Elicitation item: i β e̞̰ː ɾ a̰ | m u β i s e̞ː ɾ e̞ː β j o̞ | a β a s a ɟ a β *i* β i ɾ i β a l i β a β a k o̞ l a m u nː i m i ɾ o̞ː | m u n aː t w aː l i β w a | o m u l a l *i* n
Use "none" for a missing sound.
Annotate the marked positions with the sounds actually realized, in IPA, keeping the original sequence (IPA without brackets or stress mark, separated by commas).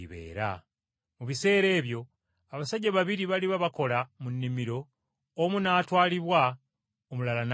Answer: a, a